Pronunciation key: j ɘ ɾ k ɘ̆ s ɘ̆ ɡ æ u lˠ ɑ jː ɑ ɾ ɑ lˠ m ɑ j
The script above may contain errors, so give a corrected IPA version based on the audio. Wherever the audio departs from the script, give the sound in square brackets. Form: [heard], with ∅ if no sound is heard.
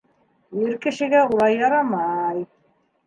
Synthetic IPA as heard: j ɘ ɾ k ɘ̆ [ʃ] ɘ̆ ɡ æ u lˠ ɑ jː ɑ ɾ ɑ [∅] m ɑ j